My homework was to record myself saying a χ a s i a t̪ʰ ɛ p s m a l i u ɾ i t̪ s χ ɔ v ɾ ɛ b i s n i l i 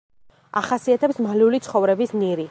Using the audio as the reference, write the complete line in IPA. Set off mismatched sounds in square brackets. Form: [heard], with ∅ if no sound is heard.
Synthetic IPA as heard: a χ a s i a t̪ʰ ɛ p s m a l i u [l] i t̪ s χ ɔ v ɾ ɛ b i s n i [ɾ] i